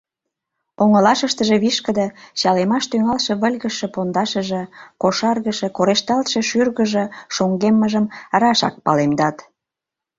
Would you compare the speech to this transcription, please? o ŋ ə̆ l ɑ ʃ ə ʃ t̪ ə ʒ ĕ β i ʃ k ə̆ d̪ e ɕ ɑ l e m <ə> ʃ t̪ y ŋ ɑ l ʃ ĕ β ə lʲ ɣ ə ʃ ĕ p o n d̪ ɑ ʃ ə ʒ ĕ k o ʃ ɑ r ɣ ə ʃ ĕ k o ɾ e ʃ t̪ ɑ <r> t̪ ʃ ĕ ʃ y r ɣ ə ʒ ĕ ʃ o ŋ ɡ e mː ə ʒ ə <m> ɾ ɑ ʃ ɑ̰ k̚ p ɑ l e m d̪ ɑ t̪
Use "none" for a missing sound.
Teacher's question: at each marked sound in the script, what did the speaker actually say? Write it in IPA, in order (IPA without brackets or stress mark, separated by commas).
ɑ, l, m